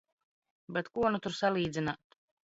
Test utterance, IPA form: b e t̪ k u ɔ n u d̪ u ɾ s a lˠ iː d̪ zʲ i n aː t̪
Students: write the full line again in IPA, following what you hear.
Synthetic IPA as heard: b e t̪ k u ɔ n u t̪ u ɾ s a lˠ iː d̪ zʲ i n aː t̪